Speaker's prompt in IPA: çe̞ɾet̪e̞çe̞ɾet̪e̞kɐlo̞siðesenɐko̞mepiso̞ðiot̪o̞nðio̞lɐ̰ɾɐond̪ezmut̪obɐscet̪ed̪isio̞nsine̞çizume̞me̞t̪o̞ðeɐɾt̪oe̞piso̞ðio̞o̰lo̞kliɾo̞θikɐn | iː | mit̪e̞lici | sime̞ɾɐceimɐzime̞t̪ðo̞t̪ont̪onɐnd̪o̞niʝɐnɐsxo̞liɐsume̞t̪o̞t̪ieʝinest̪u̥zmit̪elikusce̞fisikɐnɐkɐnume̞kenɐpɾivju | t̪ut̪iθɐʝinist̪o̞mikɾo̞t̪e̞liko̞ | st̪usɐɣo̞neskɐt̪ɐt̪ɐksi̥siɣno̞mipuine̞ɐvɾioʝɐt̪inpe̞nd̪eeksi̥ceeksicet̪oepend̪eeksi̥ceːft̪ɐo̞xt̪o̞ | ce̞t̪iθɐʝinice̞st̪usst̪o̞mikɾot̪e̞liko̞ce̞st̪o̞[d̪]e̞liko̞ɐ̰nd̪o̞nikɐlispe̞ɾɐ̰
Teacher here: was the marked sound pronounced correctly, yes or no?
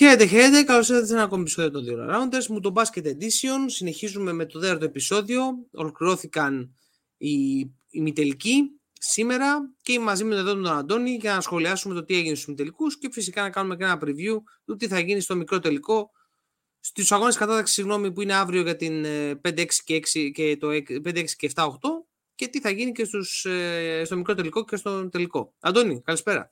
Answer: no